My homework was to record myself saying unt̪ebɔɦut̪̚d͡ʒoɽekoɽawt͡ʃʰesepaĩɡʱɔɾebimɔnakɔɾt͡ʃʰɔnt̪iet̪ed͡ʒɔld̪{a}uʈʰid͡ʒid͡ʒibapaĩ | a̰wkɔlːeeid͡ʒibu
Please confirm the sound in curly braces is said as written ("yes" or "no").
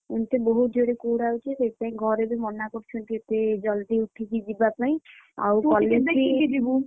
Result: no